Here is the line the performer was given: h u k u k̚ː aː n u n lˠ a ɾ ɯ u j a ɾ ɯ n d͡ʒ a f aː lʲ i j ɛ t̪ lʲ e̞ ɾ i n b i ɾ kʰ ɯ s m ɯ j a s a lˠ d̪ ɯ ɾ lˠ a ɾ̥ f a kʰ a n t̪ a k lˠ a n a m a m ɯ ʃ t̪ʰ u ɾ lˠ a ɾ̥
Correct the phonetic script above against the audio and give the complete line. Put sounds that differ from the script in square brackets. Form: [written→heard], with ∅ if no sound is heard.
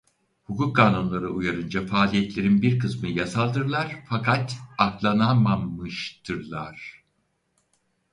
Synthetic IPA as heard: h u k u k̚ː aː n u n lˠ a ɾ ɯ u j a ɾ ɯ n d͡ʒ a f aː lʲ i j ɛ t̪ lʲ e̞ ɾ i n b i ɾ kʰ ɯ s m ɯ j a s a lˠ d̪ ɯ ɾ lˠ a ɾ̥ f a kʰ a [n→∅] t̪ a k lˠ a n a m a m ɯ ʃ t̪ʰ [u→ɯ] ɾ lˠ a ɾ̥